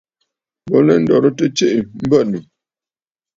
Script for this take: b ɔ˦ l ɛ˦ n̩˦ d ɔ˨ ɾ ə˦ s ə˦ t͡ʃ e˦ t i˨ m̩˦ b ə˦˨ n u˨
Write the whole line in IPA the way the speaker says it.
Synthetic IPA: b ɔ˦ l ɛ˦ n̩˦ d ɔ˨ ɾ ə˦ t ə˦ t͡ʃ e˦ ʔ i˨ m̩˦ b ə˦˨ n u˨